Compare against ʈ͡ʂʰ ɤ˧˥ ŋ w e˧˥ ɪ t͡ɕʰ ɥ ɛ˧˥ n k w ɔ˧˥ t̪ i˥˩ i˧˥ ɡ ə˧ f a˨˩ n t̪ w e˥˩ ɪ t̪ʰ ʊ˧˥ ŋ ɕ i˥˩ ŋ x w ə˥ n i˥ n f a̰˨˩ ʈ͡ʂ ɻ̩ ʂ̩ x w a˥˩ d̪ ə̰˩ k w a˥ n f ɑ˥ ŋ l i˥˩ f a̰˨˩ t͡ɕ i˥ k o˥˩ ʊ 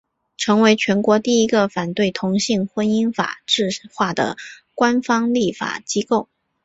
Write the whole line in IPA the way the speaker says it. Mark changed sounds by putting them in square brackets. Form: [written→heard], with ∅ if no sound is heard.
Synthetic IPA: ʈ͡ʂʰ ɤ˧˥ ŋ w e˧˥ ɪ t͡ɕʰ ɥ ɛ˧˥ n k w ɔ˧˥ t̪ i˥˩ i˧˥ ɡ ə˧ f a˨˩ n t̪ w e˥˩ ɪ t̪ʰ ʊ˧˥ ŋ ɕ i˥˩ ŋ x w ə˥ n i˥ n f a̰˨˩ ʈ͡ʂ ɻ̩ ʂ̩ x w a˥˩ d̪ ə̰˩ k w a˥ n f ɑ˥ ŋ l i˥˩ f a̰˨˩ t͡ɕ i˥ k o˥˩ ʊ